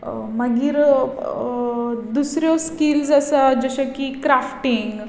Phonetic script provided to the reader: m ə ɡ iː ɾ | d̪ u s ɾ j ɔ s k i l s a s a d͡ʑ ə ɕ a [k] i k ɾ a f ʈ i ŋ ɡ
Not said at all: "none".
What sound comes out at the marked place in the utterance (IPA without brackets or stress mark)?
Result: k